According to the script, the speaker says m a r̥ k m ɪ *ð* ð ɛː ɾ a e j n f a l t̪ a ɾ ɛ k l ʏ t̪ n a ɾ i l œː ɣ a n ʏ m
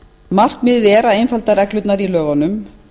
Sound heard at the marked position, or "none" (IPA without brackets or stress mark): ð